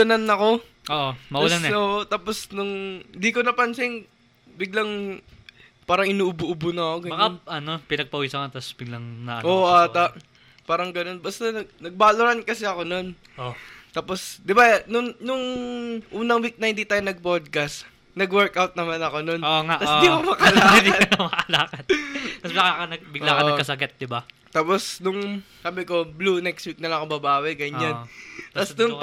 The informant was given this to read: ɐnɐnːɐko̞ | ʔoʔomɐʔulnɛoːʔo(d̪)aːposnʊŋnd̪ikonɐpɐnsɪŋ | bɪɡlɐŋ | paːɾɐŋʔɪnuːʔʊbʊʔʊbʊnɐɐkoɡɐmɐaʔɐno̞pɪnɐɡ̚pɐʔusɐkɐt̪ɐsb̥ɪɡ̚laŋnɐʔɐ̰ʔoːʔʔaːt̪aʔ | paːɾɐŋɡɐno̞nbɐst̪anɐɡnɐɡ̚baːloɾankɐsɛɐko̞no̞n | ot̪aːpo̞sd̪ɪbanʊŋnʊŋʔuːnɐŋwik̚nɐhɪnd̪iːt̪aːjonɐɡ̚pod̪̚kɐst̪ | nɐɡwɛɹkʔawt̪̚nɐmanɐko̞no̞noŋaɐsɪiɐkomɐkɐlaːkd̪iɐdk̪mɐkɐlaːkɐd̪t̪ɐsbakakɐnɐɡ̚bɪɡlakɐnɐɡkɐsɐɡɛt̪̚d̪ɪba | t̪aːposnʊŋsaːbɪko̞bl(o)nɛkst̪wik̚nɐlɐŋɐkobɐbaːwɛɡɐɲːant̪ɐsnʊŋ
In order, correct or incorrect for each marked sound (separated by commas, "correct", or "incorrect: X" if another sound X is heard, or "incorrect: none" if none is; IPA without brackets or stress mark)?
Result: incorrect: t̪, incorrect: u